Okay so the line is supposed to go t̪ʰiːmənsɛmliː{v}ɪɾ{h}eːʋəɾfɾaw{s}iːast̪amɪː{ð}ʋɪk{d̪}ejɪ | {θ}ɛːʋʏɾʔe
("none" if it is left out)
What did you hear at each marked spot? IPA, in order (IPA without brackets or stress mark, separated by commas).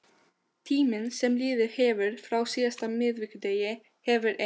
ð, h, s, ð, d̪, h